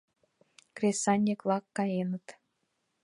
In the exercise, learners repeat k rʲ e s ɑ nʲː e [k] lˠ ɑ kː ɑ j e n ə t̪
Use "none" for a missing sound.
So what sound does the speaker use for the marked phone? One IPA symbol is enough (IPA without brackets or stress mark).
k